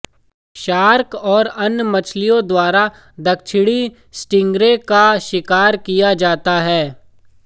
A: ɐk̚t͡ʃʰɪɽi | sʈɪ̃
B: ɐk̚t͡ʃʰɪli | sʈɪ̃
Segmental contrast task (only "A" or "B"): A